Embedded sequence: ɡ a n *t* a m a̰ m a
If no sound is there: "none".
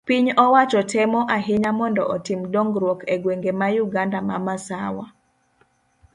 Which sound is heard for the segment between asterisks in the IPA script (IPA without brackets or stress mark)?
d